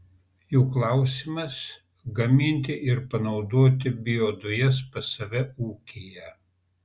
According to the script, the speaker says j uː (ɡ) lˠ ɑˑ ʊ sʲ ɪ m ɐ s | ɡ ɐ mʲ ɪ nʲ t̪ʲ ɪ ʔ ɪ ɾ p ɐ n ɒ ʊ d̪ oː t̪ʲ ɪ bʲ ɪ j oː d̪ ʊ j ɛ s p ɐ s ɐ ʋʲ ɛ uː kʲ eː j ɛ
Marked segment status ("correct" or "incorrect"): incorrect